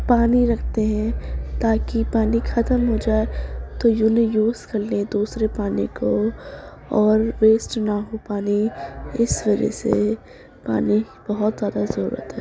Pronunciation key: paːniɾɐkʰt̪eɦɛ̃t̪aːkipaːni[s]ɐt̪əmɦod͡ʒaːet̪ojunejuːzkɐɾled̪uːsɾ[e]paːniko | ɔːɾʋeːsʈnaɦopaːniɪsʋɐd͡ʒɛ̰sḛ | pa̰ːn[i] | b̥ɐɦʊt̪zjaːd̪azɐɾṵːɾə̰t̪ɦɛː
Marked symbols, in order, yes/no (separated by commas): no, yes, yes